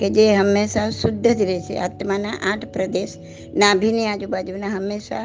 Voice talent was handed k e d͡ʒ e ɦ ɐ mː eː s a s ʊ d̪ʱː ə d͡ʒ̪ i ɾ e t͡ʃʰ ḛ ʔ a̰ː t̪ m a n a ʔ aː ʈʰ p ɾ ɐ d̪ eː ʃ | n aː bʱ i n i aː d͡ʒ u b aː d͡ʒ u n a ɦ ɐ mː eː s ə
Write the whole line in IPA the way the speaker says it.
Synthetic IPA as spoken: k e d͡ʒ e ɦ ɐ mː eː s a s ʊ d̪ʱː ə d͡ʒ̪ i ɾ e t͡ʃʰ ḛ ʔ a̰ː t̪ m a n a ʔ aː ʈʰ p ɾ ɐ d̪ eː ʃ | n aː bʱ i n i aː d͡ʒ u b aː d͡ʒ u n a ɦ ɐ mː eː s a